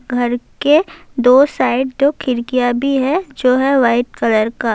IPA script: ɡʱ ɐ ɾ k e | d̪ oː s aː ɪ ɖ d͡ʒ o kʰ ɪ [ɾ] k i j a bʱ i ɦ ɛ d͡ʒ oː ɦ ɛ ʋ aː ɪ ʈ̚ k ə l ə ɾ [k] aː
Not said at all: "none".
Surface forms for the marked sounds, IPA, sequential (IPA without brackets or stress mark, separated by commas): ɾ, k